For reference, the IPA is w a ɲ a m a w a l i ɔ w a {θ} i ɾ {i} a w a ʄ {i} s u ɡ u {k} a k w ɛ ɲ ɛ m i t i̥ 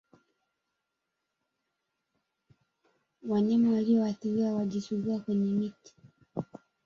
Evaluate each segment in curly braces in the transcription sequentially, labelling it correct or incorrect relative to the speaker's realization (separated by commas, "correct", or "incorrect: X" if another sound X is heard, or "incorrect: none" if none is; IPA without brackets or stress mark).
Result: correct, correct, correct, incorrect: none